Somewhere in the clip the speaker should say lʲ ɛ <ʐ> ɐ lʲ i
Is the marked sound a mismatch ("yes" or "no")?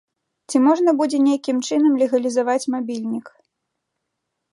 yes